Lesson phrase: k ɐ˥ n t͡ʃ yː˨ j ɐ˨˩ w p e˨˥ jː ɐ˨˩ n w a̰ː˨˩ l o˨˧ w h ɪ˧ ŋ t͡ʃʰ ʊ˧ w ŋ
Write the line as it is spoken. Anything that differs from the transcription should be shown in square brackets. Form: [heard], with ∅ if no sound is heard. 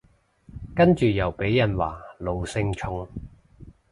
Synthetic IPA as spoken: k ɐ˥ n t͡ʃ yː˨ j ɐ˨˩ w p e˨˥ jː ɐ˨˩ n w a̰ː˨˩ l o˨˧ w [s] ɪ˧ ŋ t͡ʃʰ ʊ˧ [∅] ŋ